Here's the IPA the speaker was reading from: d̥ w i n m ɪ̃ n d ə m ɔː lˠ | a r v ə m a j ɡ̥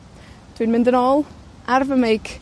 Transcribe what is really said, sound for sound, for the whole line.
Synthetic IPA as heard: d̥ w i n m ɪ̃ n d ə n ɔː lˠ | a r v ə m e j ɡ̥